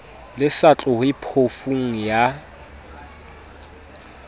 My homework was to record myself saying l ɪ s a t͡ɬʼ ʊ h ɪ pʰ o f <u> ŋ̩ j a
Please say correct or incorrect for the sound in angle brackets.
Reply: correct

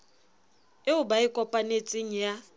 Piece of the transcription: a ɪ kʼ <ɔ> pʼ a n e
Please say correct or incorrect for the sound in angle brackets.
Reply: correct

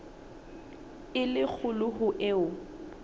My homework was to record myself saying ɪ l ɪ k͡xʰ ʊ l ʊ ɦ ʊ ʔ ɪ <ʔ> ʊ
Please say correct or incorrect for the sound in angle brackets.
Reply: incorrect: none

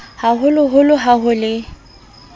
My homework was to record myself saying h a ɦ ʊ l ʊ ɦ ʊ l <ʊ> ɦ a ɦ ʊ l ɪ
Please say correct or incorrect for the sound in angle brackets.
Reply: correct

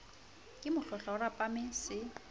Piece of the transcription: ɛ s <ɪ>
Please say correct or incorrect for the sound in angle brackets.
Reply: correct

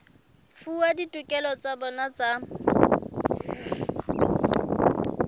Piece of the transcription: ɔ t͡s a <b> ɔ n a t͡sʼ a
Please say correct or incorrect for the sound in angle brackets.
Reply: correct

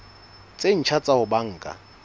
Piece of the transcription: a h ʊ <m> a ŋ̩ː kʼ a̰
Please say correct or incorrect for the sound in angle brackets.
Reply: incorrect: b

